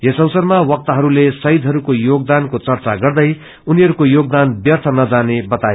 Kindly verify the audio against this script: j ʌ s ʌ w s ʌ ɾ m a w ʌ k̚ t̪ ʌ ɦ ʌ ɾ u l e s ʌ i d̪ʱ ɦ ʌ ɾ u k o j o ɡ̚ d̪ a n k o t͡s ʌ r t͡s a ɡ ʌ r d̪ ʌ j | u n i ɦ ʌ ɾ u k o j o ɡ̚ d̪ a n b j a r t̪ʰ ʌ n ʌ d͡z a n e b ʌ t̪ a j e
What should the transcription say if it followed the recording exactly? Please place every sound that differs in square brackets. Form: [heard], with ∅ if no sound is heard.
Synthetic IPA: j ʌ s ʌ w s ʌ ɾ m a w ʌ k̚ t̪ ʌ ɦ ʌ ɾ u l e s ʌ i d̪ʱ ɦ ʌ ɾ u k o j o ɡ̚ d̪ a n k o t͡s ʌ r t͡s a ɡ ʌ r d̪ ʌ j | u n i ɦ ʌ ɾ u k o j o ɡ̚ d̪ a n b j [ʌ] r t̪ʰ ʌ n ʌ d͡z a n e b ʌ t̪ a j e